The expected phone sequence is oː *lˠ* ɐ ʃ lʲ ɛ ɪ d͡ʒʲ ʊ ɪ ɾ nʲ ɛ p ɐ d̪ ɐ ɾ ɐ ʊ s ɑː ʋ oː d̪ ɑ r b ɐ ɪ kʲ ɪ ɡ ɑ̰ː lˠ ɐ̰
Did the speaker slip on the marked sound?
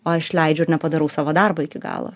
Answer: yes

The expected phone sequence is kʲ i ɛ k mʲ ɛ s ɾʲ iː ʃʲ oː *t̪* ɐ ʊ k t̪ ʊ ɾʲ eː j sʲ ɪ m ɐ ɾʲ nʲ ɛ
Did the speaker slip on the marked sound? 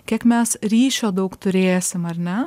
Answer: yes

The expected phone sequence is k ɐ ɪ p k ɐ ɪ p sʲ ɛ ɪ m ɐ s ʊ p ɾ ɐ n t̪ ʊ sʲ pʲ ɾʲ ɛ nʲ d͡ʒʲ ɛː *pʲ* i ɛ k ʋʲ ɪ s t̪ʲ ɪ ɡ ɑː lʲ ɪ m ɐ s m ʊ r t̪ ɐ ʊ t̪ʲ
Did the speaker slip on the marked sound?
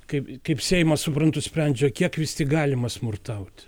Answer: yes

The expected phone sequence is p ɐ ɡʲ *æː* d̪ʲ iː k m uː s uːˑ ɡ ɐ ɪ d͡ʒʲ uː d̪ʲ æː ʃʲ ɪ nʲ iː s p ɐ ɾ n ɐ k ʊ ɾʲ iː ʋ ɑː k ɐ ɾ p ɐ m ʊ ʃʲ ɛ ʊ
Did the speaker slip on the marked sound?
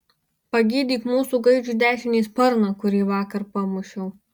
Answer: yes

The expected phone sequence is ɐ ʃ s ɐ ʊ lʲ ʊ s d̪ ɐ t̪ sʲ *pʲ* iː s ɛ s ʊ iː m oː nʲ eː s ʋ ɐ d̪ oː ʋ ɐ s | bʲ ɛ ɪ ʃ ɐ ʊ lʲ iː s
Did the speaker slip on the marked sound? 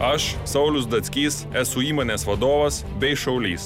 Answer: yes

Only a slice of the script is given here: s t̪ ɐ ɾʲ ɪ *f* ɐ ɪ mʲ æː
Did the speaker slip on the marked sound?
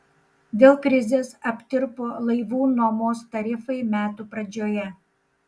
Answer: no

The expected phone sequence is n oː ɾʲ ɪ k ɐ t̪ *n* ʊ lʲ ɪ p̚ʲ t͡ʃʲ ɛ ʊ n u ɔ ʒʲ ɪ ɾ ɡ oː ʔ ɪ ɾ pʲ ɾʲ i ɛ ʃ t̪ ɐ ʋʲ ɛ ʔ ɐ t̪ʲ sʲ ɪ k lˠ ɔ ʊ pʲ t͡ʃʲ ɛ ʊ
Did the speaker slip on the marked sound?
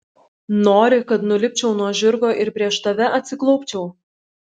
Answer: no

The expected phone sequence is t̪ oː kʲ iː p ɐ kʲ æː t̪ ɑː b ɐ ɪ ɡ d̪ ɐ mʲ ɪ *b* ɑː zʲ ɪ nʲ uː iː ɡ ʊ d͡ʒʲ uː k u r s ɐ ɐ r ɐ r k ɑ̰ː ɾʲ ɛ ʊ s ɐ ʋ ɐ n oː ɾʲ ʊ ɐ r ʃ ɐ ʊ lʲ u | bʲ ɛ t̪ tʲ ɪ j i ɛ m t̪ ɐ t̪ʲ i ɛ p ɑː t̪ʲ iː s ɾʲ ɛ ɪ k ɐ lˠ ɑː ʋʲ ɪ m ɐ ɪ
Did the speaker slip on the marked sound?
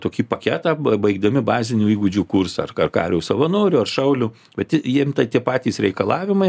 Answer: no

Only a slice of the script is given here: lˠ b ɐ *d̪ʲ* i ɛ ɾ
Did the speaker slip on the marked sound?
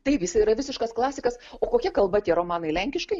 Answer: yes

